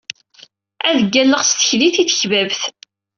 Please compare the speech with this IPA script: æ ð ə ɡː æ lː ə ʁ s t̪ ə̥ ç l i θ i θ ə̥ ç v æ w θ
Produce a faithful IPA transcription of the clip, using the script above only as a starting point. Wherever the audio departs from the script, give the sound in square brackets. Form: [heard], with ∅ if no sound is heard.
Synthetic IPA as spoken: æ ð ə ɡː æ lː ə ʁ s t̪ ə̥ ç l i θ i θ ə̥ ç v æ [v] θ